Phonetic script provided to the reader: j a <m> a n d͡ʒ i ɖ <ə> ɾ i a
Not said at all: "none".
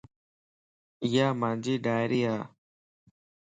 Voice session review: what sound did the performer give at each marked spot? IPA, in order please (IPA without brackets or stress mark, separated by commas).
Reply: m, a